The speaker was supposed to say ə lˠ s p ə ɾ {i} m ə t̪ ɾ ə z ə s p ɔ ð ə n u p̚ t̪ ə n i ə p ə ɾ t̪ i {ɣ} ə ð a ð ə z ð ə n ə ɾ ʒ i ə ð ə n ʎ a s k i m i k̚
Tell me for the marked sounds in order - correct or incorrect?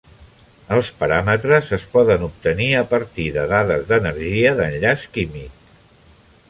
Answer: incorrect: a, incorrect: ð

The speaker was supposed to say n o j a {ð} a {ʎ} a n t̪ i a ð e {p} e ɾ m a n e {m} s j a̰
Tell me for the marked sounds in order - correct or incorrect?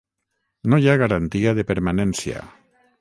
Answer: incorrect: ɣ, incorrect: ɾ, correct, incorrect: n

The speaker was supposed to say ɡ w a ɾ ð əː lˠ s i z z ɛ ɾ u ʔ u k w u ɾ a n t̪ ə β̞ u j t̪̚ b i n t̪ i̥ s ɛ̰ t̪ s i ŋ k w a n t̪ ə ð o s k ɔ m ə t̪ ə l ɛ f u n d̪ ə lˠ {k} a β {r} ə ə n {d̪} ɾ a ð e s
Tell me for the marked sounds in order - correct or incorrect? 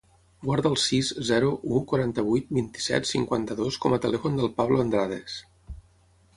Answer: incorrect: p, incorrect: l, correct

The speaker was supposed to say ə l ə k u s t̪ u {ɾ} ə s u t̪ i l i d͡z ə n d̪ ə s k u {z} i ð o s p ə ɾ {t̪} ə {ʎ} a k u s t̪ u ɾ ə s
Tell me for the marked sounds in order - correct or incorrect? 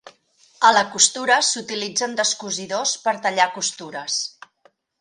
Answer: correct, correct, correct, correct

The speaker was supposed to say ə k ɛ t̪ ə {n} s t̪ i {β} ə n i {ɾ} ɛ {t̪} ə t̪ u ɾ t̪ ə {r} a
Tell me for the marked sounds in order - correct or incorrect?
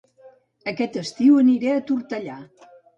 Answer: incorrect: none, incorrect: w, correct, incorrect: none, incorrect: ʎ

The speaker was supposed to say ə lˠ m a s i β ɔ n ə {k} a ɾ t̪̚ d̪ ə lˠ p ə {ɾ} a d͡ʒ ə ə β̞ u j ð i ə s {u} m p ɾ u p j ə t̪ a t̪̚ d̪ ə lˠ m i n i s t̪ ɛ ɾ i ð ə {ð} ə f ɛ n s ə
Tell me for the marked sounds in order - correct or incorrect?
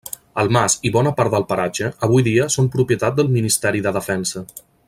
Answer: incorrect: p, correct, incorrect: o, correct

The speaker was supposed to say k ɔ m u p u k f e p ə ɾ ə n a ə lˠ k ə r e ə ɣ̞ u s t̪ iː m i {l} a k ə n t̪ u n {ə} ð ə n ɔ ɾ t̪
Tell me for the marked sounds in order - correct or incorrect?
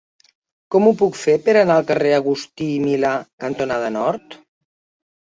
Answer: correct, incorrect: a

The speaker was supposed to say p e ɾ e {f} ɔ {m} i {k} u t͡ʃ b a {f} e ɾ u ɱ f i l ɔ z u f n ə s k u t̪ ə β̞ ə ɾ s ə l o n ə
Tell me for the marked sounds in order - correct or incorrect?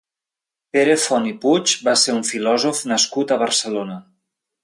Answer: correct, incorrect: n, incorrect: p, incorrect: s

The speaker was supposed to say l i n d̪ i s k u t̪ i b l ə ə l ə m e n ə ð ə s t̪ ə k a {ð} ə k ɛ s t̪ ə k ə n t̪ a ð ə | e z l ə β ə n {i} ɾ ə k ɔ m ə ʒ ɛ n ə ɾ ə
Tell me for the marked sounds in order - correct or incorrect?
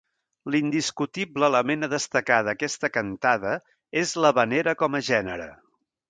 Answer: correct, incorrect: e

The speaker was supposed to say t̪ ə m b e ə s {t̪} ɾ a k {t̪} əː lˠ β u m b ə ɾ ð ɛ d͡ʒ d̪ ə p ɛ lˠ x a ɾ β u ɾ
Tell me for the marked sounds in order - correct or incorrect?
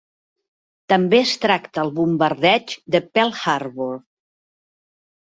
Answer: correct, correct

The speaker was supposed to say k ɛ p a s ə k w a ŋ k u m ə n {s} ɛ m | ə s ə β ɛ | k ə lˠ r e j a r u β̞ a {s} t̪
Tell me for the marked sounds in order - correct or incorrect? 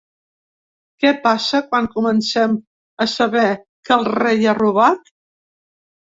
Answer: correct, incorrect: none

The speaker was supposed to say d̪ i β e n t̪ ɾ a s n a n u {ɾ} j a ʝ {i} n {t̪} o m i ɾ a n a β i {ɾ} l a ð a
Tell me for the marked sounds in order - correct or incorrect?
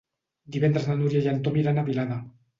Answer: correct, incorrect: a, correct, incorrect: none

